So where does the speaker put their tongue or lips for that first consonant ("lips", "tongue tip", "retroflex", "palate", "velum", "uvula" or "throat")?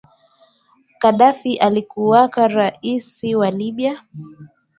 velum